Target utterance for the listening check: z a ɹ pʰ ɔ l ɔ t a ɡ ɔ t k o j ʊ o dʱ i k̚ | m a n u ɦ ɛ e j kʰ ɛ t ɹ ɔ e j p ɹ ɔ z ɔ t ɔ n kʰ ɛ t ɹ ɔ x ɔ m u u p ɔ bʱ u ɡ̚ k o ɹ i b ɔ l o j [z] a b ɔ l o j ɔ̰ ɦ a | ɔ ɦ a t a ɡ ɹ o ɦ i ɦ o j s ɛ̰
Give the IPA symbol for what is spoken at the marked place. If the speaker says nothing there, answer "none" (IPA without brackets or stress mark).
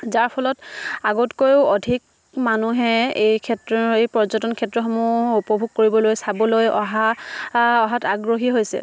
s